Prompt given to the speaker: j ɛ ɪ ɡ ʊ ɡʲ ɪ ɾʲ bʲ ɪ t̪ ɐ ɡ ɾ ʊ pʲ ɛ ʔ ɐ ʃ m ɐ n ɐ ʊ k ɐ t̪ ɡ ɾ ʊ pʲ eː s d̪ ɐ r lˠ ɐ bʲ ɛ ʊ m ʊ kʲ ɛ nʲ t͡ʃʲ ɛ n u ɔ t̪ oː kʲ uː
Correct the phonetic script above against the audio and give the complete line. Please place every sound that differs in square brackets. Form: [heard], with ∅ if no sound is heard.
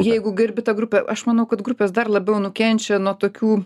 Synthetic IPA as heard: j ɛ ɪ ɡ ʊ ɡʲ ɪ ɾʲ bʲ ɪ t̪ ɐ ɡ ɾ ʊ pʲ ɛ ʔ ɐ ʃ m ɐ n ɐ ʊ k ɐ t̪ ɡ ɾ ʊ pʲ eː s d̪ ɐ r lˠ ɐ bʲ ɛ ʊ [n] ʊ kʲ ɛ nʲ t͡ʃʲ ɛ n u ɔ t̪ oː kʲ uː